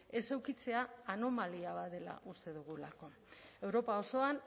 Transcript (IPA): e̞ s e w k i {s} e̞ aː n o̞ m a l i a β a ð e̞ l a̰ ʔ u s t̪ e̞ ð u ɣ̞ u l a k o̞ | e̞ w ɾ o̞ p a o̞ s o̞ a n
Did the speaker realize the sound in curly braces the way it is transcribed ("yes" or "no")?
no